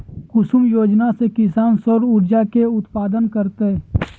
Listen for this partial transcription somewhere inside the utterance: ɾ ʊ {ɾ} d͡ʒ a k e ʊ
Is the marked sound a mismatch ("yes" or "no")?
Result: no